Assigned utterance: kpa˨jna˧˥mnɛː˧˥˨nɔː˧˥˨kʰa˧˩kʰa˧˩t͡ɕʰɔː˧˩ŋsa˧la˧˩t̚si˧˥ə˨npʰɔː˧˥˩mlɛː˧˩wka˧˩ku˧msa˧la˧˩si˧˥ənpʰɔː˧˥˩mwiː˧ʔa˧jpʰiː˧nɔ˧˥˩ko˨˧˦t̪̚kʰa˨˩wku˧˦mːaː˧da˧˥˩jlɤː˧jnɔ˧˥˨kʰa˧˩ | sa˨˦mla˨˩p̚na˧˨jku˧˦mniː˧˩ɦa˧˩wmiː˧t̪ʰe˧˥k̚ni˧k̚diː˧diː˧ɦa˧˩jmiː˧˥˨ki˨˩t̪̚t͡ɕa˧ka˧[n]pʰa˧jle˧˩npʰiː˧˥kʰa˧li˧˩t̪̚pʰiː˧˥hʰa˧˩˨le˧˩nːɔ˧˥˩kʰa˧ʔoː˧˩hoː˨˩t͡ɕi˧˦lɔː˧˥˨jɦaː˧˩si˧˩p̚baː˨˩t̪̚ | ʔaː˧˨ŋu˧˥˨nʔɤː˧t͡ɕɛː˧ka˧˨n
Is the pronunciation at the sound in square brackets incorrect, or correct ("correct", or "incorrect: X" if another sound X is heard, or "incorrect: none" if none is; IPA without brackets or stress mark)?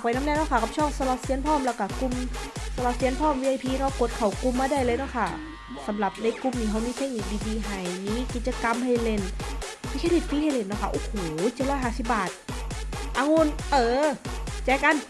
incorrect: m